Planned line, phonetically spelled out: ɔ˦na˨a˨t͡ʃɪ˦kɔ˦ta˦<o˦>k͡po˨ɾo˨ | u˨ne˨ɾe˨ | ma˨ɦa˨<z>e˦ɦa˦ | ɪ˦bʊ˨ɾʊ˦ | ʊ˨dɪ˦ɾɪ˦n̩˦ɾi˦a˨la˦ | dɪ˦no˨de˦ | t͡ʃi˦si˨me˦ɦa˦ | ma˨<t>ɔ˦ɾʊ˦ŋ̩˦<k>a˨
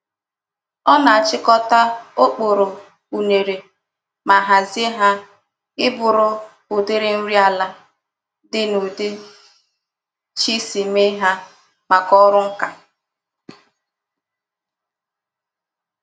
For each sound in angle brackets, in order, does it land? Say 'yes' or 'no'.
yes, yes, no, yes

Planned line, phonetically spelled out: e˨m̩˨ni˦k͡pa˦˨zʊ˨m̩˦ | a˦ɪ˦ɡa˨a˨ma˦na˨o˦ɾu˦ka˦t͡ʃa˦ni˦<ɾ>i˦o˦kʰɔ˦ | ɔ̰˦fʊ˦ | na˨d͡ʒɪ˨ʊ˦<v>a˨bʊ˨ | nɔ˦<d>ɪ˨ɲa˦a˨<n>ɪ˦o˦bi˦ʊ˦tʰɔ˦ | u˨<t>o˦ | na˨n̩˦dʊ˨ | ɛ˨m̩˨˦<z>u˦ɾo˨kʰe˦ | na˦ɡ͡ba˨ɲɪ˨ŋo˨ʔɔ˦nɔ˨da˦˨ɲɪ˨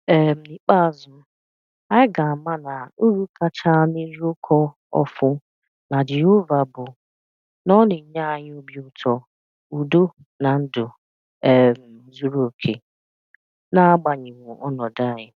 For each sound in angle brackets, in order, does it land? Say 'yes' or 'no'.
yes, yes, no, no, no, yes

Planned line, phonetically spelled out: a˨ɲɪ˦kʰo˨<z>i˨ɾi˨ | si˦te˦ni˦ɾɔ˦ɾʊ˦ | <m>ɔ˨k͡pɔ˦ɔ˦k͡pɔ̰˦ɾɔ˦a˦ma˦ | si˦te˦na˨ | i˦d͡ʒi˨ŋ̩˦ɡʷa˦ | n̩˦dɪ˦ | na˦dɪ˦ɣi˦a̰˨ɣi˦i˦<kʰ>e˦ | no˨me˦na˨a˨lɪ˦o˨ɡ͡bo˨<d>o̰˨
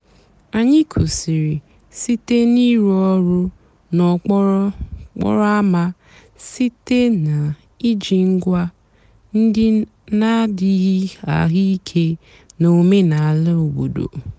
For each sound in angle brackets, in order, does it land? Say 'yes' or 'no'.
no, no, yes, yes

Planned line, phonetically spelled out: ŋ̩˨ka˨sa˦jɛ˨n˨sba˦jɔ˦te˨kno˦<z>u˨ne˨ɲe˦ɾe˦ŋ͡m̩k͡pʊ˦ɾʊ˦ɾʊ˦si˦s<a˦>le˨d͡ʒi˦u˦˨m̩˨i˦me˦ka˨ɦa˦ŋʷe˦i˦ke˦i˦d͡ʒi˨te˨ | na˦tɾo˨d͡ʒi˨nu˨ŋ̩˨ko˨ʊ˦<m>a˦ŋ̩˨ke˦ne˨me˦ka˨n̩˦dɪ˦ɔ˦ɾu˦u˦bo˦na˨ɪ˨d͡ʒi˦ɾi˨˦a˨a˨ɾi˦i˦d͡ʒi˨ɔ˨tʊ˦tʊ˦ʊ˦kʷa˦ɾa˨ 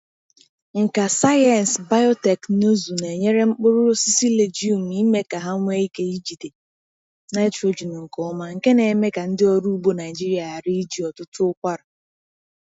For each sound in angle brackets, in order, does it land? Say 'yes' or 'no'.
yes, no, yes

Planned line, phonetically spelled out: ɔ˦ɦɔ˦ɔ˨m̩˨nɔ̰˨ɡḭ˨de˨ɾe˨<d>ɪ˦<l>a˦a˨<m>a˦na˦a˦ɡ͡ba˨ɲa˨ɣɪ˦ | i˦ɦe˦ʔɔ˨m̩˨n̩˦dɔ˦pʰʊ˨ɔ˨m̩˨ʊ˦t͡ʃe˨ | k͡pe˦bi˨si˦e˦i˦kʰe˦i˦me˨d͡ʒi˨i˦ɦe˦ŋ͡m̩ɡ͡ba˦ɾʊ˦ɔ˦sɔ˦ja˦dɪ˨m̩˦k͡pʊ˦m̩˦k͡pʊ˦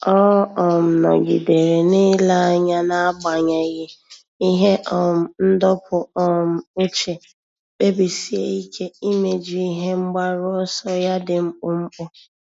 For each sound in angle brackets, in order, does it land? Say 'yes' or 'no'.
no, yes, no

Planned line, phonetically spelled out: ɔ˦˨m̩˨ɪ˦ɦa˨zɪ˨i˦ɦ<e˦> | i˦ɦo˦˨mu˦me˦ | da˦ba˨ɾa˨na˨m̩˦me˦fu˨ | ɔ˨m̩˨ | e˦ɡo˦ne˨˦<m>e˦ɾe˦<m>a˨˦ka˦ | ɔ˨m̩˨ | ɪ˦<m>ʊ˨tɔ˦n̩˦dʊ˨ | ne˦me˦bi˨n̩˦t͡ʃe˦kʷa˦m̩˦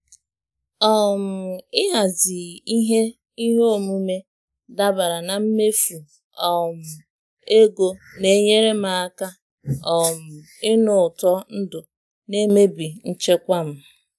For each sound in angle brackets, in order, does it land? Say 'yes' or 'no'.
yes, no, yes, no

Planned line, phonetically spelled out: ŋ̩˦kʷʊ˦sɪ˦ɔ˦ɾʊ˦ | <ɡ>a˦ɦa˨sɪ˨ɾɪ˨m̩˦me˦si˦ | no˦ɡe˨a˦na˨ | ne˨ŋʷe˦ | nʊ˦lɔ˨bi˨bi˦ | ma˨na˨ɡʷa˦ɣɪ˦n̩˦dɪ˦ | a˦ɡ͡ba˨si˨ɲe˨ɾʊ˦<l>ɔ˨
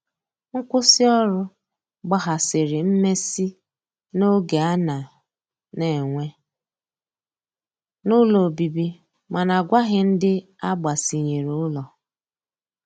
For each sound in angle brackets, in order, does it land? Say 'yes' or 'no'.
no, yes

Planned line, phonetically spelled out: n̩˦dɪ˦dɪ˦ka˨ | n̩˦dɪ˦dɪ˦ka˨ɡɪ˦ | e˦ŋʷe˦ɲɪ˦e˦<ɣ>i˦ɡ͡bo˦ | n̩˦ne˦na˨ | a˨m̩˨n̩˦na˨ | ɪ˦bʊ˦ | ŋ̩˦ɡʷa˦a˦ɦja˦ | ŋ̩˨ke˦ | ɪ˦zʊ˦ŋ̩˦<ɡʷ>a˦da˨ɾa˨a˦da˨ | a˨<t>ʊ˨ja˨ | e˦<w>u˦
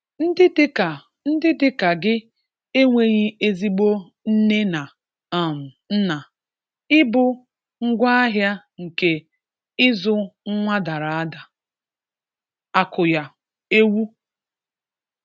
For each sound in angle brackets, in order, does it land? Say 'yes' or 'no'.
no, no, no, yes

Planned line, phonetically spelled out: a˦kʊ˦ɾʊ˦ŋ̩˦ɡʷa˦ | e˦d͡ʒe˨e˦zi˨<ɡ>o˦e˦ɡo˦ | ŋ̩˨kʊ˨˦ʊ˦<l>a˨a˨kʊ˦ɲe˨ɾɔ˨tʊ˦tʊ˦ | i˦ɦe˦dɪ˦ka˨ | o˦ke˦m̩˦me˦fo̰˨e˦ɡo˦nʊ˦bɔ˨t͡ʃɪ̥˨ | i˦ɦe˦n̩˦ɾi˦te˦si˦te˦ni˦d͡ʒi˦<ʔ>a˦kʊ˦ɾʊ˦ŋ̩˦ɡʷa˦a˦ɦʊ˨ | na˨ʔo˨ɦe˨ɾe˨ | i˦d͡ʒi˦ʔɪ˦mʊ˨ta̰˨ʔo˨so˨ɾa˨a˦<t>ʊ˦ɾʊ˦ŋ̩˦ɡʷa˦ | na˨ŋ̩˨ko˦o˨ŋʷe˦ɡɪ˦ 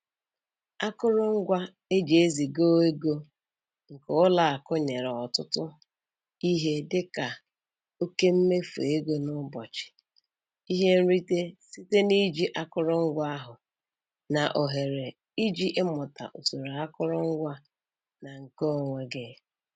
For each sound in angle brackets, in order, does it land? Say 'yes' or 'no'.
yes, yes, yes, no

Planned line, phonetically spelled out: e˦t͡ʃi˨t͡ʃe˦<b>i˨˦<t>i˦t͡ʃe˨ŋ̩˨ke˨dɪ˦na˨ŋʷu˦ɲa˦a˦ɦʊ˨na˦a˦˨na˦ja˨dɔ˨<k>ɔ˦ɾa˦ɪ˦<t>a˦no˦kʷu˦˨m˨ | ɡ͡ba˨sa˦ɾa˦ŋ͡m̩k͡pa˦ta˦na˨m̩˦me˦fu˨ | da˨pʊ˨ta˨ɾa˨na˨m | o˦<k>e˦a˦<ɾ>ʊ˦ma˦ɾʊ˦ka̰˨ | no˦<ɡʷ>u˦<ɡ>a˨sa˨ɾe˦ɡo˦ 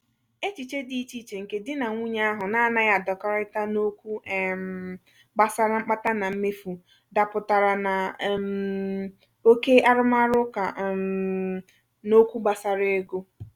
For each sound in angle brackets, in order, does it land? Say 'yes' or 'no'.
no, no, yes, yes, yes, yes, no, no

